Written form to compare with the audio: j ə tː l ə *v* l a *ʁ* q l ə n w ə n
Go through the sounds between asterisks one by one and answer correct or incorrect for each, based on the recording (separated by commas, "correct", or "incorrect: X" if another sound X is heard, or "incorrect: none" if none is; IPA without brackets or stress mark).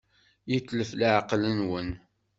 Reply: incorrect: f, incorrect: ʕ